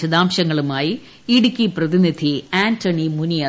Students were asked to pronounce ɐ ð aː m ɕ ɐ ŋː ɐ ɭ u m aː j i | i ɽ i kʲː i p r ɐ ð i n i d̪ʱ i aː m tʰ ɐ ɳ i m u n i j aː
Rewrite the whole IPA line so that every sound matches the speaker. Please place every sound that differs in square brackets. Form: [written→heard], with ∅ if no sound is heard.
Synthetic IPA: ɐ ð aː m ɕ ɐ ŋː ɐ ɭ u m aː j i | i ɽ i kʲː i p r ɐ ð i n i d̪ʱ i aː [m→n] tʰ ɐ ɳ i m u n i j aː